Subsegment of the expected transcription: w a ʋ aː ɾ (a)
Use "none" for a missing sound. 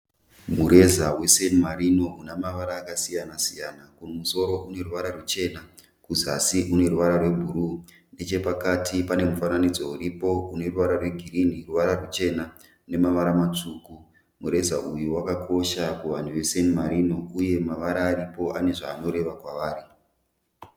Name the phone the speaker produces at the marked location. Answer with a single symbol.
i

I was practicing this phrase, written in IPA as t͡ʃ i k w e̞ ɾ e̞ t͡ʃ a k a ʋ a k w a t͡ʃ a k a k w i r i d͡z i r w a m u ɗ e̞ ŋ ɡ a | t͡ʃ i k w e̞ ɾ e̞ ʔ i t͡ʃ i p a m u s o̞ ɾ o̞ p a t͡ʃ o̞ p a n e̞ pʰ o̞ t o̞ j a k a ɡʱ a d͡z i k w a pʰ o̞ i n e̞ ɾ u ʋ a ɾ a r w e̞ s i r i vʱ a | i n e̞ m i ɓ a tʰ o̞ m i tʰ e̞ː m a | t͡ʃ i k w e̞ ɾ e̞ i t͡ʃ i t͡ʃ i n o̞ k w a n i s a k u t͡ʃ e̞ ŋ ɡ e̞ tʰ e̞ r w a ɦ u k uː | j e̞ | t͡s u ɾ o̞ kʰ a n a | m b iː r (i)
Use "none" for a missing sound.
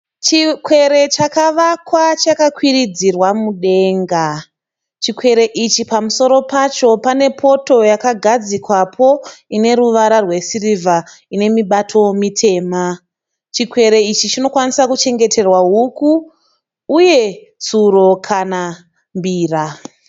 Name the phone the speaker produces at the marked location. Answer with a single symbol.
a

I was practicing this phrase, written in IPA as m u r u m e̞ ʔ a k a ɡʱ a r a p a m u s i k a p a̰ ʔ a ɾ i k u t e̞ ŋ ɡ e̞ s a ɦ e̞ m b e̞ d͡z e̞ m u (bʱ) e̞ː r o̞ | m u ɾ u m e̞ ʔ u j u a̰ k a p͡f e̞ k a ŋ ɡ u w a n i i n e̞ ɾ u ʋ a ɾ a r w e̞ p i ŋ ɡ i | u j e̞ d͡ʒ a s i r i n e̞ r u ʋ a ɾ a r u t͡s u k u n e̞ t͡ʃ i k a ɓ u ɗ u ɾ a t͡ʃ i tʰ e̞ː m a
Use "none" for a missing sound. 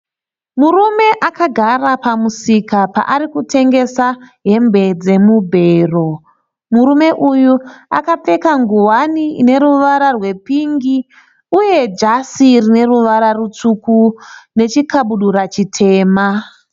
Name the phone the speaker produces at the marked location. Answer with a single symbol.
bʱ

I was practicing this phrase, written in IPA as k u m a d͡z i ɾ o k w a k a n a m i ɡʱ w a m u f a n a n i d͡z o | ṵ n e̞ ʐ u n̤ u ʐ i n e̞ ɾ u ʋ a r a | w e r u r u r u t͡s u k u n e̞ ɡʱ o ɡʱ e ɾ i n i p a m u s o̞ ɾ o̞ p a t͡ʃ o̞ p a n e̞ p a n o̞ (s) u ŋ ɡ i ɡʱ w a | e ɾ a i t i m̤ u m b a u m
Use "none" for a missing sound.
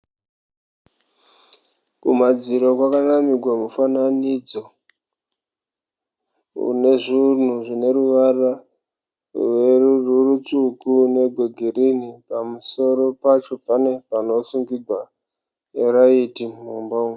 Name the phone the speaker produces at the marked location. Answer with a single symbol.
s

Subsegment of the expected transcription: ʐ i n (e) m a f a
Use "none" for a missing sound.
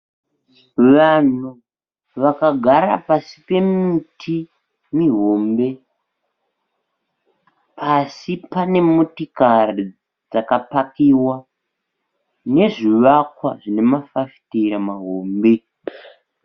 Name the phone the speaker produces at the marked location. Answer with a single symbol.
e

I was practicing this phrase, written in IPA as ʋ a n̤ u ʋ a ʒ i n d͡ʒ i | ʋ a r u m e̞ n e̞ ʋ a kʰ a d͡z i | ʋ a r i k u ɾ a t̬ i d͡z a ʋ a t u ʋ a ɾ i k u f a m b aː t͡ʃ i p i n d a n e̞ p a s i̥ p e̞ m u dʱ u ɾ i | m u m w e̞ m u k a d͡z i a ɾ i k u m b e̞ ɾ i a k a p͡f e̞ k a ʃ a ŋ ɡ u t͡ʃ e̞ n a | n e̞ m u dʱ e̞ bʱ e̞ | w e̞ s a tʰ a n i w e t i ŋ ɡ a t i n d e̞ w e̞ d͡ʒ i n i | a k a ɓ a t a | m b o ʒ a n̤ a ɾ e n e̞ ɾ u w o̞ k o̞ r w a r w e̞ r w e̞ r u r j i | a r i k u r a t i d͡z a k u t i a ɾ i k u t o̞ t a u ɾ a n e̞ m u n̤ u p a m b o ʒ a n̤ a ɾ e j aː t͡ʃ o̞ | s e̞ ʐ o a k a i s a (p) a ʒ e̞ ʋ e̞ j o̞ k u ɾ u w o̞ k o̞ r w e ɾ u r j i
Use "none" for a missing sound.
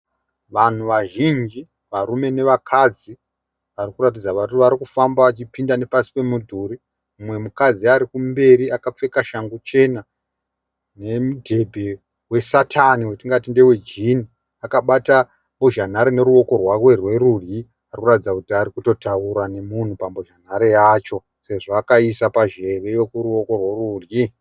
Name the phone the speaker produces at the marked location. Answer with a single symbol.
p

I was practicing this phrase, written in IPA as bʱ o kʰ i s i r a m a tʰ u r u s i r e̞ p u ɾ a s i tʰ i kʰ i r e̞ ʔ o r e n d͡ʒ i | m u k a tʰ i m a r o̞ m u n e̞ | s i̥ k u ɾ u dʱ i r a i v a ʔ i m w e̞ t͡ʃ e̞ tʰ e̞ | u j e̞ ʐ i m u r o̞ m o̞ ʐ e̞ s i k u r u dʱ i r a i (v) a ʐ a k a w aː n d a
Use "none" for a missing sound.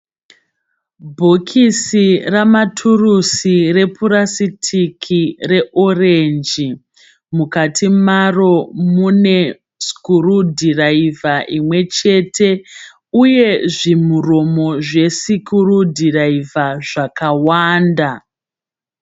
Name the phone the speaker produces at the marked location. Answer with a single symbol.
v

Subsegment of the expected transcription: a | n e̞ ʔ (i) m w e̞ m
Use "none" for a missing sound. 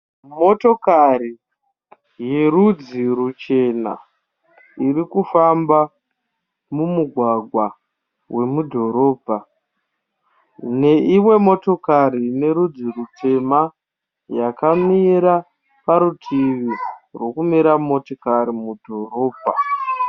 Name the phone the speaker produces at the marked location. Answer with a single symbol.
i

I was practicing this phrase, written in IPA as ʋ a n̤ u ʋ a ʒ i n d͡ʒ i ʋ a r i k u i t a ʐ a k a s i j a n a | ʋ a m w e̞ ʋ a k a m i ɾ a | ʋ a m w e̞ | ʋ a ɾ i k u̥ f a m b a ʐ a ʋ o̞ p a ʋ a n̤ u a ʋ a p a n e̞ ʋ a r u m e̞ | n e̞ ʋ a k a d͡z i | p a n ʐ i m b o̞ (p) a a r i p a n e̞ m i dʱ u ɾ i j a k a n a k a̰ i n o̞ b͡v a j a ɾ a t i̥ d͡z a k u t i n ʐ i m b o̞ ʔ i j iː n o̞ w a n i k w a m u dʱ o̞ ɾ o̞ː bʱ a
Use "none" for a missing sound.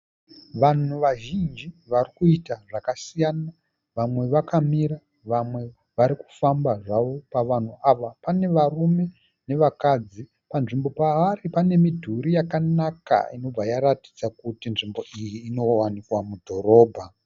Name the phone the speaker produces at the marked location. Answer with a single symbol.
p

